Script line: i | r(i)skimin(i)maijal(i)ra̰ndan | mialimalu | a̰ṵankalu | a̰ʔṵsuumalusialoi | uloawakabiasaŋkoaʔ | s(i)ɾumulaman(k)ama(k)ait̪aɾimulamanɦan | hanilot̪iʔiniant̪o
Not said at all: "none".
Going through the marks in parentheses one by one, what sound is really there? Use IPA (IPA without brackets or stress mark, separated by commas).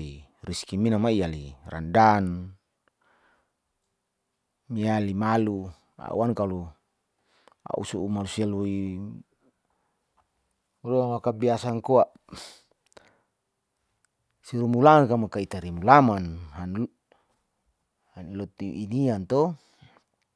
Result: i, a, i, i, k, k